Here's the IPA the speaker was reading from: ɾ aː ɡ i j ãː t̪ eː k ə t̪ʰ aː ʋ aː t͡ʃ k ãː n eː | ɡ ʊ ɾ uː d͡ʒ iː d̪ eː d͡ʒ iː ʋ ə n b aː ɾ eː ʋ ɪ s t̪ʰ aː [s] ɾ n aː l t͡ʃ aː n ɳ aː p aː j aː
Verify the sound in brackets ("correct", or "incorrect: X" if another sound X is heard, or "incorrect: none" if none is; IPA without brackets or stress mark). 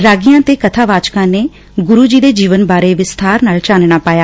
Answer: incorrect: none